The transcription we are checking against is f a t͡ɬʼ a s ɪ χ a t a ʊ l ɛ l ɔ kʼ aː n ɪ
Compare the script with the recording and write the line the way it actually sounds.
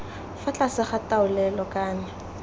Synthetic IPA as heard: f a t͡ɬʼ a s ɪ χ a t a ʊ l ɛ l ɔ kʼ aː n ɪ